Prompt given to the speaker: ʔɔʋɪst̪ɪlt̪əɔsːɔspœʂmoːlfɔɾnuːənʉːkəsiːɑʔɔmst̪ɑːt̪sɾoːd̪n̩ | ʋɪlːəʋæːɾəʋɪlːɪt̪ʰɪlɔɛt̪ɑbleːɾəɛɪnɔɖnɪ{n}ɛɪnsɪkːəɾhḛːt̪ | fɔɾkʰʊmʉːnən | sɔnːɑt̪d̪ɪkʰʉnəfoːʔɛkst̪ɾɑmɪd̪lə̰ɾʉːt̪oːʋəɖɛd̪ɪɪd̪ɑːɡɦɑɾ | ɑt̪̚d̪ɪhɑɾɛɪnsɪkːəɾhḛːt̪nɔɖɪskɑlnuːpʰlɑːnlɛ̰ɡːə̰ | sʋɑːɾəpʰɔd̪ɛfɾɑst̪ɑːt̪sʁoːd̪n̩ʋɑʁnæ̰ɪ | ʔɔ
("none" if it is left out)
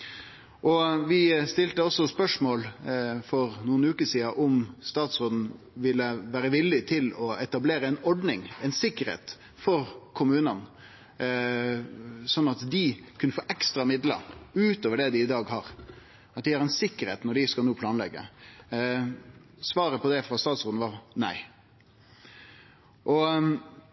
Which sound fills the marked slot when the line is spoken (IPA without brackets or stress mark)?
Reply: ŋ